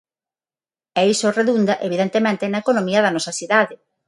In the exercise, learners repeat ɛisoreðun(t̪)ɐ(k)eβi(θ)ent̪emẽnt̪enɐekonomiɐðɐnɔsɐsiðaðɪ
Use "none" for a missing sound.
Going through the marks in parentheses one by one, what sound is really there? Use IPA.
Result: d̪, ʔ, ð

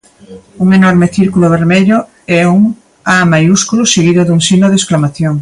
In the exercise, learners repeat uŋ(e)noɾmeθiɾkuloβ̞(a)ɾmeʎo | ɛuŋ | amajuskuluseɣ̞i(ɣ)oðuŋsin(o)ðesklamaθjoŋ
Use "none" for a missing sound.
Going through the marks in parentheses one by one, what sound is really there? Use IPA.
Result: e, e, ð, o

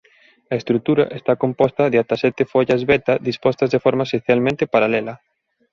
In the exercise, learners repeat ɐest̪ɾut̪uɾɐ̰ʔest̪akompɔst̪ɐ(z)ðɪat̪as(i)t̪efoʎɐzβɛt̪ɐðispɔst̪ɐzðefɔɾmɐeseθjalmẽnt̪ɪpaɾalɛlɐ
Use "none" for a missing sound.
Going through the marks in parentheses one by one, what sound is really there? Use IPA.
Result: none, ɛ

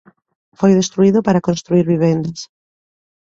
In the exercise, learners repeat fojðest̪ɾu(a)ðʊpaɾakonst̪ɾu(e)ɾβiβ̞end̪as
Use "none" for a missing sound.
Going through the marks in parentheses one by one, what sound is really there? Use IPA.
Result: i, i

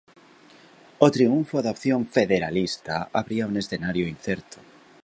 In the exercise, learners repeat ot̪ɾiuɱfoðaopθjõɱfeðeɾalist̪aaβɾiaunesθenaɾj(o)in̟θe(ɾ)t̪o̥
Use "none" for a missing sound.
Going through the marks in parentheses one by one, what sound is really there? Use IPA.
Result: o, ɾ

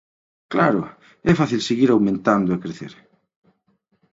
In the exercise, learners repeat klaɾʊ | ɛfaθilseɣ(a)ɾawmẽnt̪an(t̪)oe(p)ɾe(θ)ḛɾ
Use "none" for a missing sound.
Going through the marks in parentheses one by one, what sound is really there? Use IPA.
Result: i, d̪, k, θ

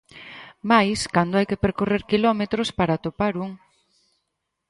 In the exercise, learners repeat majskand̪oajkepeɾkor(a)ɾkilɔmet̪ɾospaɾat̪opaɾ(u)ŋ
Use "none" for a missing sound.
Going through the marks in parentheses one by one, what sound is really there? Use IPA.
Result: e, u

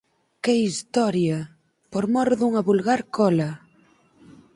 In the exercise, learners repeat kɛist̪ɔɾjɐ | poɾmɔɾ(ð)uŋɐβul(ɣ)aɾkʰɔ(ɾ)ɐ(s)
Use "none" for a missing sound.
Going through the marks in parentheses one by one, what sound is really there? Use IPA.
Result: ð, ɣ, l, none

